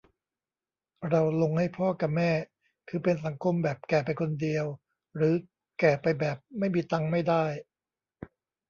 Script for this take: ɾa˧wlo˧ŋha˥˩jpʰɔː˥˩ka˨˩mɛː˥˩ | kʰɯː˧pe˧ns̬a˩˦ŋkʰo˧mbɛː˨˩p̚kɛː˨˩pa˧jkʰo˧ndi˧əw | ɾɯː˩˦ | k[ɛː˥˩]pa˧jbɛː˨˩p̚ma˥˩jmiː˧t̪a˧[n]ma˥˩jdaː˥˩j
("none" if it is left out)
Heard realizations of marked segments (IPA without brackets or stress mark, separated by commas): ɛː˨˩, ŋ